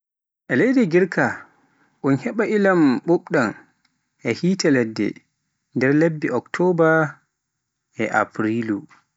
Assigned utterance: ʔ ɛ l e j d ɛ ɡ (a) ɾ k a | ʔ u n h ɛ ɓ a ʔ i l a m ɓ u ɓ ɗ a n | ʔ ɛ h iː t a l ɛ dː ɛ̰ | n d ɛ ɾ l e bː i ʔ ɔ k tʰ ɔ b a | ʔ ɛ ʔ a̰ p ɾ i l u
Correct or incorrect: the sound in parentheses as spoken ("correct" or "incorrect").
incorrect